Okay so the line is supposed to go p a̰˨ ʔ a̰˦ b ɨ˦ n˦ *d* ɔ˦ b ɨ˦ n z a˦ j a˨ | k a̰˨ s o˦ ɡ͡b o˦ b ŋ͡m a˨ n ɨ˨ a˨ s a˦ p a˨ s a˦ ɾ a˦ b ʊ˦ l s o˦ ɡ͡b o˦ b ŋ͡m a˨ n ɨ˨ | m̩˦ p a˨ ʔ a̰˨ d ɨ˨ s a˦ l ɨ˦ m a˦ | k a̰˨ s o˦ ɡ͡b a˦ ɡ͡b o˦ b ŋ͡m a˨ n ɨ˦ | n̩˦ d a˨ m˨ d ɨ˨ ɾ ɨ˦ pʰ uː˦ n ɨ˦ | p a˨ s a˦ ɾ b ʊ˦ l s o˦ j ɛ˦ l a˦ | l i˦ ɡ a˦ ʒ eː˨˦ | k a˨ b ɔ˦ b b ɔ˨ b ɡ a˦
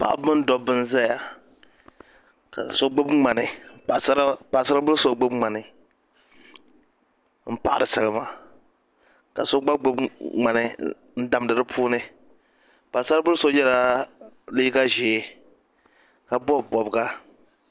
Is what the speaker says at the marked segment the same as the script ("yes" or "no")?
yes